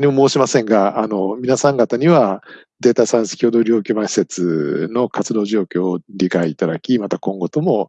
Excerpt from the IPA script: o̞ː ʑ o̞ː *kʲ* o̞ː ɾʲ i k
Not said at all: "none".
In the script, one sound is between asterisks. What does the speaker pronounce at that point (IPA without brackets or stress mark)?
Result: kʲ